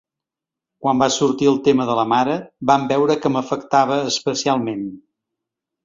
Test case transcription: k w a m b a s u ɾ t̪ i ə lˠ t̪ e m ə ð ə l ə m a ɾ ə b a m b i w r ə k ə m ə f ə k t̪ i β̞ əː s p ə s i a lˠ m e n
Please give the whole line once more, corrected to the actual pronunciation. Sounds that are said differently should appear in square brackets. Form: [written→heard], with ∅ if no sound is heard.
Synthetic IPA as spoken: k w a m b a s u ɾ t̪ i ə lˠ t̪ e m ə ð ə l ə m a ɾ ə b a m b [i→ɛ] w [r→ɾ] ə k ə m ə f ə k t̪ [i→a] β̞ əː s p ə s i a lˠ m e n

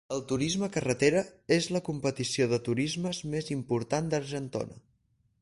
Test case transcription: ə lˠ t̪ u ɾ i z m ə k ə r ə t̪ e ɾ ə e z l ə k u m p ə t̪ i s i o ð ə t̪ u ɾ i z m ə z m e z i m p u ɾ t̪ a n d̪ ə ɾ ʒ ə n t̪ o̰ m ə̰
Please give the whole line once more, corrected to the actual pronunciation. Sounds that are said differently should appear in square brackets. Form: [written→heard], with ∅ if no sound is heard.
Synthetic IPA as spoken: ə lˠ t̪ u ɾ i z m ə k ə r ə t̪ e ɾ ə e z l ə k u m p ə t̪ i s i o ð ə t̪ u ɾ i z m ə z m e z i m p u ɾ t̪ a n d̪ ə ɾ ʒ ə n t̪ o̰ [m→n] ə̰

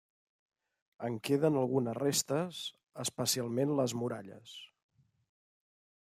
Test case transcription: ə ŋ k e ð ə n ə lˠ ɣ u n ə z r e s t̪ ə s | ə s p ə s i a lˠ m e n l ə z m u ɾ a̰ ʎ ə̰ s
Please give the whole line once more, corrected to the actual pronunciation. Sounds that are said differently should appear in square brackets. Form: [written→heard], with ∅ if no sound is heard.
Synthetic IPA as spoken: ə ŋ k e ð ə n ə lˠ ɣ u n ə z r e s t̪ ə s | ə s p ə s i a lˠ m e n l ə z m u ɾ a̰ ʎ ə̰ s

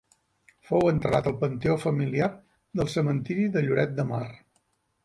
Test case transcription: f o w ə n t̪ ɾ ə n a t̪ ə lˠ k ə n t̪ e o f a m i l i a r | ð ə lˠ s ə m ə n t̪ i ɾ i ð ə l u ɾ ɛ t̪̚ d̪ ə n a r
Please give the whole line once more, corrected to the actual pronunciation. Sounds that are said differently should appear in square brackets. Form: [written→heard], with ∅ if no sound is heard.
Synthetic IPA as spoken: f o w ə n t̪ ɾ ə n a t̪ ə lˠ [k→p] ə n t̪ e o f [a→ə] m i l i a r | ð ə lˠ s ə m ə n t̪ i ɾ i ð ə [l→ʎ] u ɾ ɛ t̪̚ d̪ ə [n→m] a r

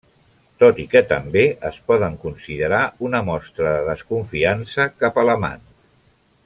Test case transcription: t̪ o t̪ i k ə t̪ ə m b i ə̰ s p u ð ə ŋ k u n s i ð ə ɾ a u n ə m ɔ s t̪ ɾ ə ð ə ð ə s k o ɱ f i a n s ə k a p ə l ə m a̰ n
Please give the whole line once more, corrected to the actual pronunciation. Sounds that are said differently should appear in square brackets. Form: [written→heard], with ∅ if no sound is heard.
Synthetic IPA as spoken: t̪ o t̪ i k ə t̪ ə m b [i→e] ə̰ s p [u→ɔ] ð ə ŋ k u n s i ð ə ɾ a u n ə m ɔ s t̪ ɾ ə ð ə ð ə s k [o→u] ɱ f i a n s ə k a p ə l ə m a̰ n

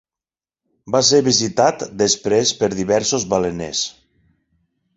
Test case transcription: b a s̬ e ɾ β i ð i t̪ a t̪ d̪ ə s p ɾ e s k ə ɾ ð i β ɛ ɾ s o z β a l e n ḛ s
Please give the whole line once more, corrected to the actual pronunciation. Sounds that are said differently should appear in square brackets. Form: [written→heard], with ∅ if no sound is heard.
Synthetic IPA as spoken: b a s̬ e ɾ β i [ð→z] i t̪ a t̪ d̪ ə s p ɾ e s [k→p] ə ɾ ð i β ɛ ɾ s o z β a l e n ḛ s

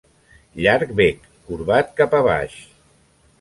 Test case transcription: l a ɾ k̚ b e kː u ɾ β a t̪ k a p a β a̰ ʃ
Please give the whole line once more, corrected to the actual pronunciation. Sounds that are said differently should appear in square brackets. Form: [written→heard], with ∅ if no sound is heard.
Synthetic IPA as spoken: [l→ʎ] a ɾ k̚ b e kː u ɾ β a t̪ k a p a β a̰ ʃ

